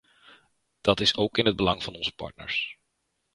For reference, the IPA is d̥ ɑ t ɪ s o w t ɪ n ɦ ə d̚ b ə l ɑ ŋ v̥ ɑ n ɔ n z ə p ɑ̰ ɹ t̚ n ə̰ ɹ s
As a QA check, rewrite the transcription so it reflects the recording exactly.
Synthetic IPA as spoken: d̥ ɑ t ɪ s o w k ɪ n ɦ ə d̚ b ə l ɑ ŋ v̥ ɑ n ɔ n z ə p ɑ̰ ɹ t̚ n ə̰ ɹ s